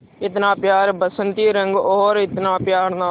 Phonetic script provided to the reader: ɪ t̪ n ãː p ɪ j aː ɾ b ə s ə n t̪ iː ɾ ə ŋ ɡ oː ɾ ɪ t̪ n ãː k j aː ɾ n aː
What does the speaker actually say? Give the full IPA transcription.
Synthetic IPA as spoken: ɪ t̪ n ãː p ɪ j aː ɾ b ə s ə n t̪ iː ɾ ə ŋ ɡ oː ɾ ɪ t̪ n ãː p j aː ɾ n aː

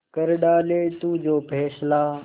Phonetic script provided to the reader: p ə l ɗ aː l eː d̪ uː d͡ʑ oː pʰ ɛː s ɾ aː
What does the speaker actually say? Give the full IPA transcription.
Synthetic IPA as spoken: k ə ɾ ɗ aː l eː t̪ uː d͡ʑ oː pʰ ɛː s l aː

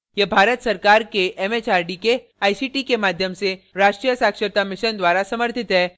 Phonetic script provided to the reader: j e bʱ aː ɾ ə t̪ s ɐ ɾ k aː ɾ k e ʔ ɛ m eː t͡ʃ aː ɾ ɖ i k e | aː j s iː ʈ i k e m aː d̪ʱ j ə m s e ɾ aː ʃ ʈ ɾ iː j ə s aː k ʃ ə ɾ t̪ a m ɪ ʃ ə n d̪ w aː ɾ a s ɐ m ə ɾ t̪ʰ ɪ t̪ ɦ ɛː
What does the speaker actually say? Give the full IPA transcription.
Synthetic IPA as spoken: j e bʱ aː ɾ ə t̪ s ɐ ɾ k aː ɾ k e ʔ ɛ m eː t͡ʃ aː ɾ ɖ i k e | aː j s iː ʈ i k e m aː d̪ʱ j ə m s e ɾ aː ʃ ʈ ɾ i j ə s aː k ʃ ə ɾ t̪ a m ɪ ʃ ə n d̪ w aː ɾ a s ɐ m ə ɾ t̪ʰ ɪ t̪ ɦ ɛː

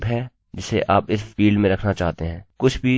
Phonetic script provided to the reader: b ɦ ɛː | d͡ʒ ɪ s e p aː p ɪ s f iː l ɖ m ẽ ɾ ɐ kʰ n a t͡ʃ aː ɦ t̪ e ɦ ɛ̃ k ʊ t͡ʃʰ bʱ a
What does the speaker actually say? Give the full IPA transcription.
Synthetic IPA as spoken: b ɦ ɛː | d͡ʒ ɪ s e ʔ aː p ɪ s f iː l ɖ m ẽ ɾ ɐ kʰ n a t͡ʃ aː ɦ t̪ e ɦ ɛ̃ː k ʊ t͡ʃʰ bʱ i

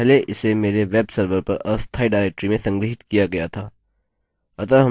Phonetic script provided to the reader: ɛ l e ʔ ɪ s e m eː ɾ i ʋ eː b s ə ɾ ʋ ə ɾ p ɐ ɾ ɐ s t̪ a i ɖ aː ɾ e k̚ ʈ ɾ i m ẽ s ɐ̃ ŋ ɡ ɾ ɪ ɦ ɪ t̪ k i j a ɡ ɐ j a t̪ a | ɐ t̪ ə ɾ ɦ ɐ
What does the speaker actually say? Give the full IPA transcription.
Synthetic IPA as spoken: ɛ l e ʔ ɪ s e m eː ɾ e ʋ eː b s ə ɾ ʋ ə ɾ p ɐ ɾ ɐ s t̪ʰ a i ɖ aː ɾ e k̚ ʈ ɾ i m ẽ s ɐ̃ ŋ ɡ ɾ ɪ ɦ ɪ t̪ k i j a ɡ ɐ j a t̪ʰ a | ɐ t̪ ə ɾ ɦ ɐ

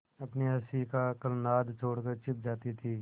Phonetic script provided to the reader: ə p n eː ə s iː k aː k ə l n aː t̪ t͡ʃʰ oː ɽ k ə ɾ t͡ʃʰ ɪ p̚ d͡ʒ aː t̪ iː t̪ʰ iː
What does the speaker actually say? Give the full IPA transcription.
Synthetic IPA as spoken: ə p n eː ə s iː k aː k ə l n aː d̪ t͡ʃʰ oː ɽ k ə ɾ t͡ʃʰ ɪ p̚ d͡ʒ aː t̪ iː t̪ʰ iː

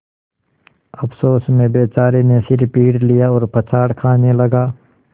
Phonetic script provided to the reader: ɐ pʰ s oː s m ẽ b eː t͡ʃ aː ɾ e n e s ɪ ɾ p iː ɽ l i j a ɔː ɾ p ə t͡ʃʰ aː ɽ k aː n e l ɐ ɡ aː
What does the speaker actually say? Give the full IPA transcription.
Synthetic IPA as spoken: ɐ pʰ s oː s m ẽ b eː t͡ʃ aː ɾ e n e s ɪ ɾ p iː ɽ l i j a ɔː ɾ p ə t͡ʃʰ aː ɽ kʰ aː n e l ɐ ɡ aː

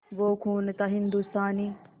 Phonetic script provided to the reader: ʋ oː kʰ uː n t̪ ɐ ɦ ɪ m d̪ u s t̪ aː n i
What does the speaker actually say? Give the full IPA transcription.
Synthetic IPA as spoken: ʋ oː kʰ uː n t̪ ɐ ɦ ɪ n d̪ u s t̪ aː n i

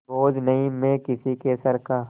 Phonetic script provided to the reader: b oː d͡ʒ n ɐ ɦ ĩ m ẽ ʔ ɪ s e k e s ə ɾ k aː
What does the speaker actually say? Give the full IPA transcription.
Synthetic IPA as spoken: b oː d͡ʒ n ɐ ɦ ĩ m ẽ k ɪ s i k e s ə ɾ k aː

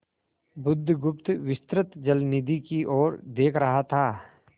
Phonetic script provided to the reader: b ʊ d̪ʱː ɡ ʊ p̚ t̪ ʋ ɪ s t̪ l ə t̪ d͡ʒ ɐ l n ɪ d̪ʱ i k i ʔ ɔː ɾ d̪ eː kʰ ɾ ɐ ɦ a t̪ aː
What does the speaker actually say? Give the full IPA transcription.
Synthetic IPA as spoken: b ʊ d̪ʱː ɡ ʊ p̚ t̪ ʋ ɪ s t̪ ɾ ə t̪ d͡ʒ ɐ l n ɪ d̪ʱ i k i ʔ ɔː ɾ d̪ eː kʰ ɾ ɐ ɦ a t̪ʰ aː

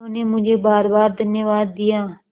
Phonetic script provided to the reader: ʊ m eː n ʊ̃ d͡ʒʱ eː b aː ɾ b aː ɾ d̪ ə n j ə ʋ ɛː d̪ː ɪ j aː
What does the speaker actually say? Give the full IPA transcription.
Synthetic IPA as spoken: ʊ n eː m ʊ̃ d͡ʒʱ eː b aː ɾ b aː ɾ d̪ ə n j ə ʋ aː d̪ː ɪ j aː

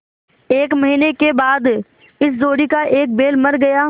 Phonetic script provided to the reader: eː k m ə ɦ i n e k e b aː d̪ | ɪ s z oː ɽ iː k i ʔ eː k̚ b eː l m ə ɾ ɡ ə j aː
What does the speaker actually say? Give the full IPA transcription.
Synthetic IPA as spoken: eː k m ə ɦ iː n e k e b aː d̪ | ɪ s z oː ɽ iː k a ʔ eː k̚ b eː l m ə ɾ ɡ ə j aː

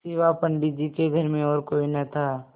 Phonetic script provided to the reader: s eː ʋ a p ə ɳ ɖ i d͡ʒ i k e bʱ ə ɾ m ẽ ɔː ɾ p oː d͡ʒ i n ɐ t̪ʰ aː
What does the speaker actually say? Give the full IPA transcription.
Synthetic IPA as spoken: s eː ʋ a p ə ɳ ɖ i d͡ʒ i k e ɡʱ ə ɾ m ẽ ɔː ɾ k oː i n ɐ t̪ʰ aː

